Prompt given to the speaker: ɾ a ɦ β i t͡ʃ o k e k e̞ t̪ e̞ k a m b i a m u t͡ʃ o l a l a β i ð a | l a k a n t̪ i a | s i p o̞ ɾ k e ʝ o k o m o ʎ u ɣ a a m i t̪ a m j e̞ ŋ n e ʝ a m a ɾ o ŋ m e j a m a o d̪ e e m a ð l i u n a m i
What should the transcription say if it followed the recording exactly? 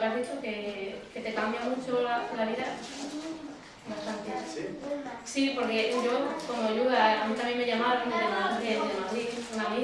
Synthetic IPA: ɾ a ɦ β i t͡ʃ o k e k e̞ t̪ e̞ k a m b j a m u t͡ʃ o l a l a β i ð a | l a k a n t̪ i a | s i p o̞ ɾ k e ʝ o k o m o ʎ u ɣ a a m i t̪ a m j e̞ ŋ m e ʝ a m a ɾ o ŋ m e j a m a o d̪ e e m a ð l i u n a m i

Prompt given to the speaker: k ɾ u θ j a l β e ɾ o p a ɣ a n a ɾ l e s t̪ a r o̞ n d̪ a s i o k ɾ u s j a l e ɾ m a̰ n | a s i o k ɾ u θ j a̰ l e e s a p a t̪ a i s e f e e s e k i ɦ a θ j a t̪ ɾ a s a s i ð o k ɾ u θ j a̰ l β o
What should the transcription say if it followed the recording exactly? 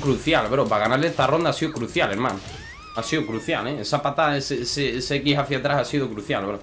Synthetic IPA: k ɾ u θ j a l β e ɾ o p a ɣ a n a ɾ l e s t̪ a r o̞ n d̪ a s i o k ɾ u θ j a l e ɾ m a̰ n | a s i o k ɾ u θ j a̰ l e e s a p a t̪ a e s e s e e s e k i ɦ a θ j a t̪ ɾ a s a s i ð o k ɾ u θ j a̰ l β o

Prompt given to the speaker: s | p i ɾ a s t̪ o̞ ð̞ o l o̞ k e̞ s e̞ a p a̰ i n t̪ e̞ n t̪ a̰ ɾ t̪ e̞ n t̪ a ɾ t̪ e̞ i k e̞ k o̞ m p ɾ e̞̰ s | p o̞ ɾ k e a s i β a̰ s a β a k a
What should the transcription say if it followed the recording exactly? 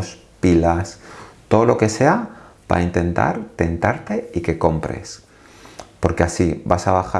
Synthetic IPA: s | p i l a s t̪ o̞ ð̞ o l o̞ k e̞ s e̞ a p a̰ i n t̪ e̞ n t̪ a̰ ɾ t̪ e̞ n t̪ a ɾ t̪ e̞ i k e̞ k o̞ m p ɾ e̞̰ s | p o̞ ɾ k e a s i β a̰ s a β a x a

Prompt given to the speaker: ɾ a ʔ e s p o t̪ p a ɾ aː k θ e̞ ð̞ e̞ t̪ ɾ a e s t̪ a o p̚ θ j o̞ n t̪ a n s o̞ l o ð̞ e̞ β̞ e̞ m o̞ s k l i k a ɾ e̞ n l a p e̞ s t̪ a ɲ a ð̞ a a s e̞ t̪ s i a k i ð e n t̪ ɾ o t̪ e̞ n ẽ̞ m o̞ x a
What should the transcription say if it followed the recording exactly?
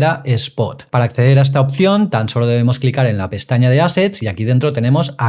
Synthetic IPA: ɾ a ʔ e s p o t̪ p a ɾ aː k θ e̞ ð̞ e̞ ɾ a e s t̪ a o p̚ θ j o̞ n t̪ a n s o̞ l o ð̞ e̞ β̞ e̞ m o̞ s k l i k a ɾ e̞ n l a p e̞ s t̪ a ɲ a ð̞ e a s e̞ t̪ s i a k i ð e n t̪ ɾ o t̪ e̞ n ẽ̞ m o̞ s a

